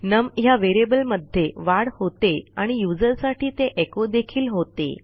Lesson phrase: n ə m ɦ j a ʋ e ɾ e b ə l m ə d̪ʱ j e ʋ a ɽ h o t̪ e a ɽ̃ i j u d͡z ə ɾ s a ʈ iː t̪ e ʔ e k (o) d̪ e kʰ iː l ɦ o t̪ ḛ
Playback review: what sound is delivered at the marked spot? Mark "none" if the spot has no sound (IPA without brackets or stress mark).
o